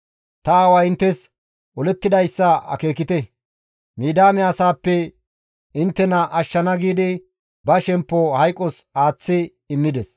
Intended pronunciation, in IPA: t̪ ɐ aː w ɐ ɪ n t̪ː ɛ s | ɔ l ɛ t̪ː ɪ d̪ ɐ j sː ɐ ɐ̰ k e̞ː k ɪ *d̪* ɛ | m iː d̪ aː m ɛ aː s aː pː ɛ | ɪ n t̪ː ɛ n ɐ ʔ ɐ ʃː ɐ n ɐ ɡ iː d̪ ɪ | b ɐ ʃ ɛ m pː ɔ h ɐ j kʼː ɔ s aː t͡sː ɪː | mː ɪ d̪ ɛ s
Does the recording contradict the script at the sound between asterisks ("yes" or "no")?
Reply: yes